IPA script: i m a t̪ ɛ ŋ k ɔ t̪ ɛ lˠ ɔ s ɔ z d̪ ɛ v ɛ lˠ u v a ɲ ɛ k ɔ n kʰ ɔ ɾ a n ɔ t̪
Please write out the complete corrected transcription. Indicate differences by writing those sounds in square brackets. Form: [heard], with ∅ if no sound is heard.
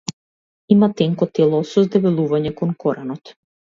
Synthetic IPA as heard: i m a t̪ ɛ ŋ k ɔ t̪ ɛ lˠ ɔ s ɔ z d̪ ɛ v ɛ lˠ u v a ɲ ɛ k ɔ n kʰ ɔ ɾ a n ɔ t̪